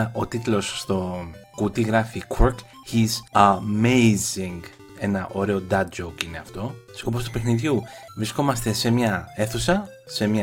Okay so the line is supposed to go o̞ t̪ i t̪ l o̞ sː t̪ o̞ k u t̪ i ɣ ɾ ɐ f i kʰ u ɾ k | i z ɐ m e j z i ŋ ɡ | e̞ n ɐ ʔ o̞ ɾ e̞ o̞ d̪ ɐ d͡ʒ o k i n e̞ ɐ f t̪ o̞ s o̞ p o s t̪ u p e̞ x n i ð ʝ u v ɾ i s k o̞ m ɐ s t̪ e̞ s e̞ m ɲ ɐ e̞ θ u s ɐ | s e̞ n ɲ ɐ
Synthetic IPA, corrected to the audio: o̞ t̪ i t̪ l o̞ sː t̪ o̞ k u t̪ i ɣ ɾ ɐ f i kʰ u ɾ k | i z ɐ m e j z i ŋ ɡ | e̞ n ɐ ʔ o̞ ɾ e̞ o̞ d̪ ɐ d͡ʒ o k i n e̞ ɐ f t̪ o̞ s o̞ p o s t̪ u p e̞ x n i ð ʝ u v ɾ i s k o̞ m ɐ s t̪ e̞ s e̞ m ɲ ɐ e̞ θ u s ɐ | s e̞ m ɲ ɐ